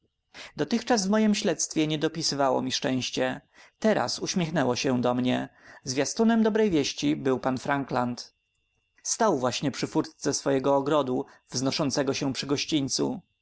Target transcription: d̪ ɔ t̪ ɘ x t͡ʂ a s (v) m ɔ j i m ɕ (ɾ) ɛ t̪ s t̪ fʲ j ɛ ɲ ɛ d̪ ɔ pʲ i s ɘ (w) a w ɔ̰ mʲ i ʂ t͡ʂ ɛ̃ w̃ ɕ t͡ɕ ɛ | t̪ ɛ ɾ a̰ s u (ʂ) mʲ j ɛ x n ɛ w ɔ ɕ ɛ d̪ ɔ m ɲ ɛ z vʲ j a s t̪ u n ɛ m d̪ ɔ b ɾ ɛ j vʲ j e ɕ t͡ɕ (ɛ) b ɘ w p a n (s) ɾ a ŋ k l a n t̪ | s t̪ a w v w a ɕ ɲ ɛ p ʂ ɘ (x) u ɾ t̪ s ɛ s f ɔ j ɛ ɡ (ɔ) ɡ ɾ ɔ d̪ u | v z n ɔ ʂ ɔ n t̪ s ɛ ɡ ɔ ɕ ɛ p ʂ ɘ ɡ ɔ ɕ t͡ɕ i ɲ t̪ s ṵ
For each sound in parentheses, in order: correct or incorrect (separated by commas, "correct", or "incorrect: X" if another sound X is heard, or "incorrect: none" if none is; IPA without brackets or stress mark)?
correct, incorrect: l, incorrect: v, incorrect: ɕ, incorrect: i, incorrect: f, incorrect: f, incorrect: ɔː